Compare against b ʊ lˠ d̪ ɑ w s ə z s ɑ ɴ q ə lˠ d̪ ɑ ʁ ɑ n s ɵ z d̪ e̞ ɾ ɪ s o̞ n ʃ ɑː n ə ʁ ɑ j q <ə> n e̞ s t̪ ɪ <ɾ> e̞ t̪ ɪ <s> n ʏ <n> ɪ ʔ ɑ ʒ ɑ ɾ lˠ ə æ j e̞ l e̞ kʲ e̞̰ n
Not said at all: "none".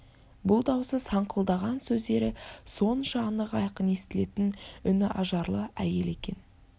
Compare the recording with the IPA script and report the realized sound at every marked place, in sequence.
ə, l, none, n

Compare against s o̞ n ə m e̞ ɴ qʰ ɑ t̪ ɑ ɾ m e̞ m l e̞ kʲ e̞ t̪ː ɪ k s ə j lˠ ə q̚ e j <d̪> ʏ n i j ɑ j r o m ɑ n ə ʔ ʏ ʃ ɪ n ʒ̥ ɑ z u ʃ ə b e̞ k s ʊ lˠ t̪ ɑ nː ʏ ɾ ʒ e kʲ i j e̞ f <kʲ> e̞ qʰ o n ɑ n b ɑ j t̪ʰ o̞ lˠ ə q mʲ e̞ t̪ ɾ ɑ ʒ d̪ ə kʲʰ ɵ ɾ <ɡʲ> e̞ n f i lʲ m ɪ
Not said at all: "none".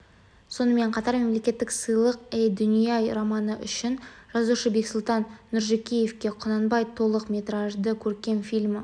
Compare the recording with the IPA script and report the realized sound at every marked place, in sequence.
d̪, kʲ, kʲ

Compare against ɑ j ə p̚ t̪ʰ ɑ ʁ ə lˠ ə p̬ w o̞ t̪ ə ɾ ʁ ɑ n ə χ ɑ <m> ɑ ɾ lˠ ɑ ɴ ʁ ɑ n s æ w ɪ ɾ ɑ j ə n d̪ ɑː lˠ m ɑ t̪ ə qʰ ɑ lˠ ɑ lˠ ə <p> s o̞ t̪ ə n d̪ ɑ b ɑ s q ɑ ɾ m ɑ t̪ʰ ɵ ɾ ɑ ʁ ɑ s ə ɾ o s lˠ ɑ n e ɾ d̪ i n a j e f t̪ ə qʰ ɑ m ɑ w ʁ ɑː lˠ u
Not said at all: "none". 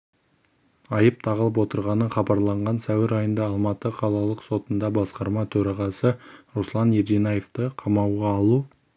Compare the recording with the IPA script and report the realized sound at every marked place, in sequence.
b, q

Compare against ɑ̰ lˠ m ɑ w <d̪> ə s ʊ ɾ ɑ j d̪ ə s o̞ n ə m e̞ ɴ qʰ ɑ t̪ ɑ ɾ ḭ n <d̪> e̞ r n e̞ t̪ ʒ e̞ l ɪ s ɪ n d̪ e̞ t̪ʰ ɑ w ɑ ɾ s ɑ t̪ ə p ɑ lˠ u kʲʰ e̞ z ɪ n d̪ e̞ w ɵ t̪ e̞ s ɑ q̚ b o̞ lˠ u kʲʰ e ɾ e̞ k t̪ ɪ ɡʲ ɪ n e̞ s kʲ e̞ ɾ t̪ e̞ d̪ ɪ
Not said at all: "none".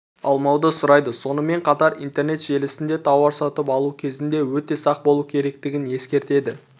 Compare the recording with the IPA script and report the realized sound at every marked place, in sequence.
d̪, t̪

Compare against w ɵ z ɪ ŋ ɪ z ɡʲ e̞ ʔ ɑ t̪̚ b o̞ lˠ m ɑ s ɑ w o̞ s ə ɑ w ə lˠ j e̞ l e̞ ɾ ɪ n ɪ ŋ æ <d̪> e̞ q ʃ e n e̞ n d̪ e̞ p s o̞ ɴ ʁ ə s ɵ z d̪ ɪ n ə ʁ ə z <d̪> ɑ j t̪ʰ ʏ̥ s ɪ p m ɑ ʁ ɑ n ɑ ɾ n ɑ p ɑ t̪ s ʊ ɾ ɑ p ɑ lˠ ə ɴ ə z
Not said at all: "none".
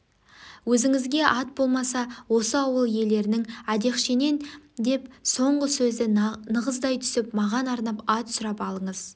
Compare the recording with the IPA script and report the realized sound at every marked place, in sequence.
d̪, d̪

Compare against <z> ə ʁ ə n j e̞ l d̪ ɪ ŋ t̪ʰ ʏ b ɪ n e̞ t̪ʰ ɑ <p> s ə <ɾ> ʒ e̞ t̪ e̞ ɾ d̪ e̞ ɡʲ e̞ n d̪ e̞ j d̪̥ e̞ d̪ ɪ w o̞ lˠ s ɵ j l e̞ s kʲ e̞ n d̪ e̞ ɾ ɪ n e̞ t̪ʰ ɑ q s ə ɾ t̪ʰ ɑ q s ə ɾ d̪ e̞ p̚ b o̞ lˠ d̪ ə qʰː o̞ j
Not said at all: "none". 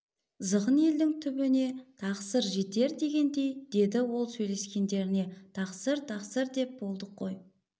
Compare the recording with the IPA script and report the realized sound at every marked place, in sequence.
z, q, ɾ

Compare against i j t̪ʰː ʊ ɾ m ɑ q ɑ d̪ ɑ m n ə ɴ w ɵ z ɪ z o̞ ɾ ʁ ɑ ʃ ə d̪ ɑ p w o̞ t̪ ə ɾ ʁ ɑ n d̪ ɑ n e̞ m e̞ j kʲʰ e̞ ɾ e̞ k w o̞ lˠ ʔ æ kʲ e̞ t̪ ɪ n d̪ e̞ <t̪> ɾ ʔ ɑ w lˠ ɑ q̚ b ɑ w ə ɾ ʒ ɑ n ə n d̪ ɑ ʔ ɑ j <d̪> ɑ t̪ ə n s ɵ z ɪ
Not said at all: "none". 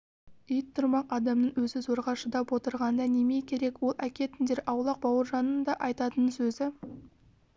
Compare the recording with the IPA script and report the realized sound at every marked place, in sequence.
none, t̪

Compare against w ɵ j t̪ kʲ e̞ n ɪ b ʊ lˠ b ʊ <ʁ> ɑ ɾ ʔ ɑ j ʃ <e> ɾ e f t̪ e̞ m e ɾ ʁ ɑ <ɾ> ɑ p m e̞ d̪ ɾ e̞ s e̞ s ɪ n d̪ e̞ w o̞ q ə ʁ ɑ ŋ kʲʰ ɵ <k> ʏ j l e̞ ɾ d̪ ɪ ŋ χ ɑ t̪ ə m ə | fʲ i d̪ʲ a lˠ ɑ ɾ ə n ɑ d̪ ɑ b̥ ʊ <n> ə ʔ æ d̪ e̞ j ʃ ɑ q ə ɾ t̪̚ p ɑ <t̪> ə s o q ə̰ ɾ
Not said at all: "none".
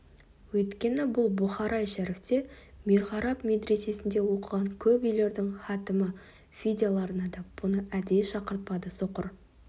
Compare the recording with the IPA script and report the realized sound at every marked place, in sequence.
χ, æ, ɾ, p, n, d̪

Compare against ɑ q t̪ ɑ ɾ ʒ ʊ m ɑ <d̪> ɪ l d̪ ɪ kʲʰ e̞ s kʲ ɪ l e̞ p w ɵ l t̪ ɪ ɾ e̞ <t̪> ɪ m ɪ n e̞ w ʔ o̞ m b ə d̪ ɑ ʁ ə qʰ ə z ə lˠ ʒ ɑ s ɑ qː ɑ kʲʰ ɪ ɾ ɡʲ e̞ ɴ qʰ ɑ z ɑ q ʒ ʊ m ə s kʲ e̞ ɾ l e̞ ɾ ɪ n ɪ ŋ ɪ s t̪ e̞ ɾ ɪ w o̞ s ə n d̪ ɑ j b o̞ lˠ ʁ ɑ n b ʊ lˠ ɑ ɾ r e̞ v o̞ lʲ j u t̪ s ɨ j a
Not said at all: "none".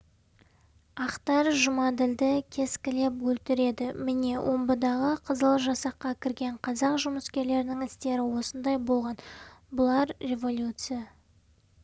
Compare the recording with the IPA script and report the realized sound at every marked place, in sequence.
d̪, d̪

